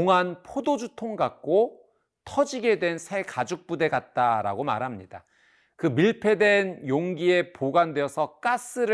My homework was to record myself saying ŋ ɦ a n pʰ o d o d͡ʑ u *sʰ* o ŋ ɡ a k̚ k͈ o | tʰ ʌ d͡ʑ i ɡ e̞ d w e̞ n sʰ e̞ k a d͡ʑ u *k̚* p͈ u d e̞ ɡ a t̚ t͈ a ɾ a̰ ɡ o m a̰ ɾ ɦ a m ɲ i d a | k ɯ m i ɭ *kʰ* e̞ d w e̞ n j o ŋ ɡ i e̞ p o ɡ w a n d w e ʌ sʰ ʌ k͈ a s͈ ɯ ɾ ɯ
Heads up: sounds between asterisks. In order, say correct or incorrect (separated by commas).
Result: incorrect, correct, incorrect